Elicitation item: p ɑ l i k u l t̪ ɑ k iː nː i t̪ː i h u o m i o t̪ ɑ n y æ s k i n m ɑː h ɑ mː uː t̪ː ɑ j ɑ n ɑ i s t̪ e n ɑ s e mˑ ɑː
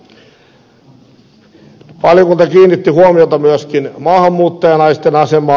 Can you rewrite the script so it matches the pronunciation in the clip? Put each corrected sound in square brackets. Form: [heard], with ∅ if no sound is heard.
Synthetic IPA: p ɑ l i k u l t̪ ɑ k iː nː i t̪ː i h u o m i o t̪ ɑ [m] y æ s k i n m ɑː h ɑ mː uː t̪ː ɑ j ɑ n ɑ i s t̪ e n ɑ s e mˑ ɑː